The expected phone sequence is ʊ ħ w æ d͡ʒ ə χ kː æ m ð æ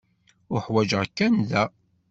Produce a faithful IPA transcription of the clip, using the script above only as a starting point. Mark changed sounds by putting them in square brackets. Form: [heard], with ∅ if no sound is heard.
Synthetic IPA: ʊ ħ w æ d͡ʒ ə [ʁ] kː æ [n] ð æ

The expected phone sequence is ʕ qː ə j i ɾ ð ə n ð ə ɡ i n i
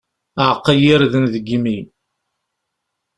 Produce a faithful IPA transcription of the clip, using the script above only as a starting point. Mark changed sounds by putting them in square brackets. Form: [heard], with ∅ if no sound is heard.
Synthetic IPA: ʕ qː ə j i ɾ ð ə n ð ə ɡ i [m] i

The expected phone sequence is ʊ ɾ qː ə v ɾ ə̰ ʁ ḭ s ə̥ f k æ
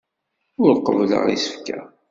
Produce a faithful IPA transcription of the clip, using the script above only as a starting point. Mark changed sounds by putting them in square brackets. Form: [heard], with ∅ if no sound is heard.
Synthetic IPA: ʊ ɾ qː ə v [l] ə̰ ʁ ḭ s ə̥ f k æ

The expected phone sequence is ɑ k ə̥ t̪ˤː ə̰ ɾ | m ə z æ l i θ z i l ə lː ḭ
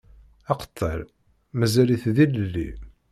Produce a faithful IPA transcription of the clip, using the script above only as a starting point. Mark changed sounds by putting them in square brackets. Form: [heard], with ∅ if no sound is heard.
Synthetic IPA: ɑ [q] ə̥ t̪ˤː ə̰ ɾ | m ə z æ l i θ [ð] i l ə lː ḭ

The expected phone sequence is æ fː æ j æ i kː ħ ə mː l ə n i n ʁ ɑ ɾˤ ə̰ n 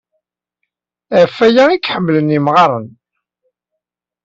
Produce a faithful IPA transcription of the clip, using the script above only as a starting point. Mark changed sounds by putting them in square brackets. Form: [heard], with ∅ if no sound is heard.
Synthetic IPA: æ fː æ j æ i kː ħ ə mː l ə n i [m] ʁ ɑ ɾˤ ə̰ n

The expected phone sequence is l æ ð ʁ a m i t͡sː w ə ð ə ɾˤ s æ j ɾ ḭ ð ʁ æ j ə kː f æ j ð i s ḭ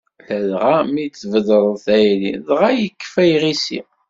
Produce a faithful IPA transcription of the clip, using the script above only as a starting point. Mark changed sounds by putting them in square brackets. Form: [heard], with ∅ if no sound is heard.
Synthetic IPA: l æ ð ʁ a m i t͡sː [v] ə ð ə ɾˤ [θ] æ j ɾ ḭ ð ʁ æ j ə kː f æ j [ʁ] i s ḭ

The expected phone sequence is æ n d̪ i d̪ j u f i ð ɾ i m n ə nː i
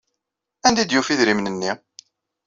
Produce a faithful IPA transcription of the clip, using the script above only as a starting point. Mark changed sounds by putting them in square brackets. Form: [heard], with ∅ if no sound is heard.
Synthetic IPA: æ n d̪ i d̪ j u f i ð ɾ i m n ə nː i

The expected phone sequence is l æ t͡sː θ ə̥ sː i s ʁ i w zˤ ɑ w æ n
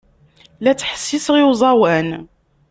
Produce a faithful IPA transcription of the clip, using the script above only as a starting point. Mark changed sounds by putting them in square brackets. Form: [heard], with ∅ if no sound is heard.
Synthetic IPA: l æ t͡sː [ħ] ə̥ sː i s ʁ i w zˤ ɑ w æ n

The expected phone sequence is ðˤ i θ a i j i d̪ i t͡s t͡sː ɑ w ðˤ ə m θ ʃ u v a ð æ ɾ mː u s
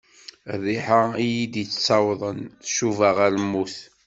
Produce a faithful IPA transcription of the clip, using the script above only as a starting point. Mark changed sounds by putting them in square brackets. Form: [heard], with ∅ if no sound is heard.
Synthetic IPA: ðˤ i [ħ] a i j i d̪ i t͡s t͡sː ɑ w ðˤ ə [n] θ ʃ u v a [ʁ] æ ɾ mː u [θ]

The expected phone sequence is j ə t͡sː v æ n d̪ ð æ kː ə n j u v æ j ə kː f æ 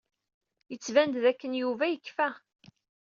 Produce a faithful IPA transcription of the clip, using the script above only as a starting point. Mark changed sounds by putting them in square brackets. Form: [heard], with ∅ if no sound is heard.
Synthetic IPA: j ə t͡sː v æ n d̪ ð æ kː ə n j u v æ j ə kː f æ

